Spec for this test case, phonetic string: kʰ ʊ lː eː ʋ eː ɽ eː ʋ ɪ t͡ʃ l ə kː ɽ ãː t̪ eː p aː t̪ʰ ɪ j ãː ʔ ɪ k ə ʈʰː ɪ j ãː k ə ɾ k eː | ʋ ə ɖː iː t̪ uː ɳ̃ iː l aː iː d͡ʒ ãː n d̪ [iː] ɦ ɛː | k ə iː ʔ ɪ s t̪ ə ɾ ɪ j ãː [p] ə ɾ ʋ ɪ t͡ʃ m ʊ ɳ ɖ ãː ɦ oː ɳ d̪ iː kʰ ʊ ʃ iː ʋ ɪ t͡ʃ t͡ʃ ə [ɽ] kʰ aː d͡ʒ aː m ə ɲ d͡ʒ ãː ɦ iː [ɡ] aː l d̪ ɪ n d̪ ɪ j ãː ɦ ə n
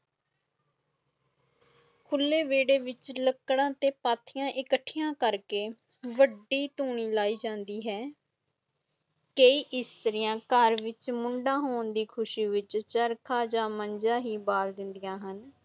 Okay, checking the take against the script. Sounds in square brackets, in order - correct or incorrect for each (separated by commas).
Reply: correct, incorrect, incorrect, incorrect